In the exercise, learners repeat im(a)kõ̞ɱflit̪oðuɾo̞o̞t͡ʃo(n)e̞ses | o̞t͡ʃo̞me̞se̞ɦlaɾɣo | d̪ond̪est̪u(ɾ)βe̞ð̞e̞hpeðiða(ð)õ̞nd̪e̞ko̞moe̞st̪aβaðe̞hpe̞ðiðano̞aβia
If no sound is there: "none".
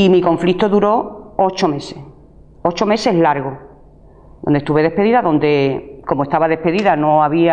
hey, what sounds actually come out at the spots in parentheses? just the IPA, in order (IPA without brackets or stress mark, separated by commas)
i, m, none, ð